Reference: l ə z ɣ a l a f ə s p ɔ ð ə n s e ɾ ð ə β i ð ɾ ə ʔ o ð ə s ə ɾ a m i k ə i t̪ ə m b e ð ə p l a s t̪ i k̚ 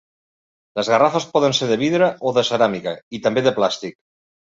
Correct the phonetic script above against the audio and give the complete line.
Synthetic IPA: l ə z ɣ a r a f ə s p ɔ ð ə n s e ɾ ð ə β i ð ɾ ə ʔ o ð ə s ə ɾ a m i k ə i t̪ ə m b e ð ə p l a s t̪ i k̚